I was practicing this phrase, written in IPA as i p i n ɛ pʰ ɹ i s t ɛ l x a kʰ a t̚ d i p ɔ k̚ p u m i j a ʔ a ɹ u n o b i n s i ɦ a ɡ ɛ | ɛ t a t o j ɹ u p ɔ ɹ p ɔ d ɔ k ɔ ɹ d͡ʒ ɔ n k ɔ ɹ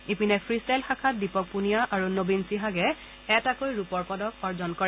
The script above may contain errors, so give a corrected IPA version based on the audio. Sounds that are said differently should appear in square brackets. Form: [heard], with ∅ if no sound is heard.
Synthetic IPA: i p i n ɛ pʰ ɹ i s t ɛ l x a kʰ a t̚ d i p ɔ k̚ p u [n] i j a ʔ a ɹ u n o b i n s i ɦ a ɡ ɛ | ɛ t a [k] o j ɹ u p ɔ ɹ p ɔ d ɔ k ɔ ɹ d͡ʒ ɔ n k ɔ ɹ